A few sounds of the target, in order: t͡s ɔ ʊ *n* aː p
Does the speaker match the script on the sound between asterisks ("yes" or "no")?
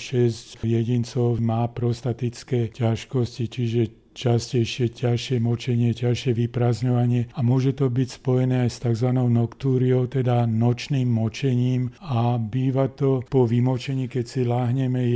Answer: no